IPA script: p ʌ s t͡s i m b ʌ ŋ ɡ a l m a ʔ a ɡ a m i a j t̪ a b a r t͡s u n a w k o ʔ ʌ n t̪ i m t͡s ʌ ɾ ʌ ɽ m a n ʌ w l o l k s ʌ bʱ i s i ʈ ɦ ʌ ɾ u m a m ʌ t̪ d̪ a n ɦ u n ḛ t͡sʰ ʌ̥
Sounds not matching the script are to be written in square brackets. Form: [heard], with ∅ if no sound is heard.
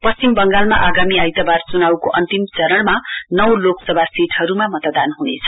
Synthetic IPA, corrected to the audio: p ʌ s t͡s i m b ʌ ŋ ɡ a l m a ʔ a ɡ a m i a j t̪ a b a r t͡s u n a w k o ʔ ʌ n t̪ i m t͡s ʌ ɾ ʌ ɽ m a n ʌ w l o [∅] k s ʌ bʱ [a] s i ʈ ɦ ʌ ɾ u m a m ʌ t̪ d̪ a n ɦ u n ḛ t͡sʰ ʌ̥